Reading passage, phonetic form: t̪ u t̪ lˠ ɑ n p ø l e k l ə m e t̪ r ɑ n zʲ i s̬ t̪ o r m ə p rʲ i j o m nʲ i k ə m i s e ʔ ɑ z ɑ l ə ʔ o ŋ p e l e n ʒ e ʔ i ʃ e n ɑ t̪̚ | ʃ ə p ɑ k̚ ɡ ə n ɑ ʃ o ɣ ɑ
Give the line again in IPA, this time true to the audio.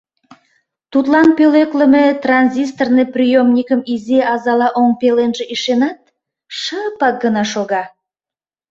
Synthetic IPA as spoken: t̪ u t̪ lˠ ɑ n p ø l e k l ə m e t̪ r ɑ n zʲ i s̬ t̪ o r n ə p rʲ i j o m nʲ i k ə m i z e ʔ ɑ z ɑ l ɑ ʔ o ŋ p e l e n ʒ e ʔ i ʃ e n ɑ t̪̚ | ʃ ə p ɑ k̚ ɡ ə n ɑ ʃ o ɣ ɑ